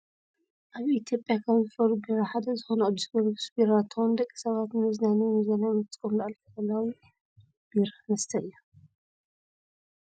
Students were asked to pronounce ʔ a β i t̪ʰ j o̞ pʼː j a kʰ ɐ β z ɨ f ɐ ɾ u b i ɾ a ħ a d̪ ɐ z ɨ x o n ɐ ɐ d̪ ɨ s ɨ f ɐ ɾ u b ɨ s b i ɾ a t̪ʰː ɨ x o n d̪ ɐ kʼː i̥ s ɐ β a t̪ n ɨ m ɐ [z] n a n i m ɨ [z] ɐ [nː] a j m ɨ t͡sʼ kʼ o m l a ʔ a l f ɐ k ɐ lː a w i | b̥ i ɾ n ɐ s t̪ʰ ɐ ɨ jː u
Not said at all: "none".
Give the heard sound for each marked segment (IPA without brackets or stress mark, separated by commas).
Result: z, z, n